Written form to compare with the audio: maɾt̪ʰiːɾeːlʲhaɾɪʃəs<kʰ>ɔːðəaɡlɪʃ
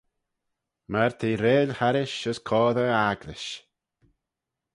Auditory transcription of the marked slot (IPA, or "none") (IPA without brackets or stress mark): kʰ